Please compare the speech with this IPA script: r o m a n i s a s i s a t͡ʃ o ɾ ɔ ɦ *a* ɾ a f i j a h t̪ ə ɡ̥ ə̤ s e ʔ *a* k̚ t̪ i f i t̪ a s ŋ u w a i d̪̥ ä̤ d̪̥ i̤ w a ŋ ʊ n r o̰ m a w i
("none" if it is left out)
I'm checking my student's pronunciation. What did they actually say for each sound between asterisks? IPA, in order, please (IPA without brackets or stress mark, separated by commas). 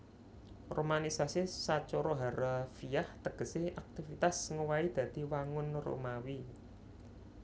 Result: a, a